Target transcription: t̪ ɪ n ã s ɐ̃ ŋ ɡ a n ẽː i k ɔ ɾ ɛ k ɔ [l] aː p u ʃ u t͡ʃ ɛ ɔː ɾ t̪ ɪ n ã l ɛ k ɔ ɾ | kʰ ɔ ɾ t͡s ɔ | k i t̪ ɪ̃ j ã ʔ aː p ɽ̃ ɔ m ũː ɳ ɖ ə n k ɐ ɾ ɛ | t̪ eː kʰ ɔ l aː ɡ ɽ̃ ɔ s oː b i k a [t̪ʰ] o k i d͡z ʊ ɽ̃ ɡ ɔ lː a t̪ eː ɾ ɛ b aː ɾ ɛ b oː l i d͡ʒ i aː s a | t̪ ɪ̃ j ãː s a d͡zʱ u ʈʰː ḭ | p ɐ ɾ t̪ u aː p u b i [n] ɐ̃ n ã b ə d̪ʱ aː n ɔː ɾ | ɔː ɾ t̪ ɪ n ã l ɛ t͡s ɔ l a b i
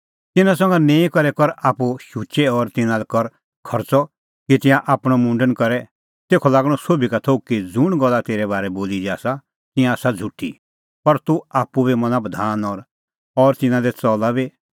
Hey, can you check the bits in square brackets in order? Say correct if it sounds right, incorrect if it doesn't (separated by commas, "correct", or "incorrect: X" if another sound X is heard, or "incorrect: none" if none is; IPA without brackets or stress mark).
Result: incorrect: ɾ, correct, incorrect: m